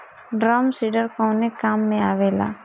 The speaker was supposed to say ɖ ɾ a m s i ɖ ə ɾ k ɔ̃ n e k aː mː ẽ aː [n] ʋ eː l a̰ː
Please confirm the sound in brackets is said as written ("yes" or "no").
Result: no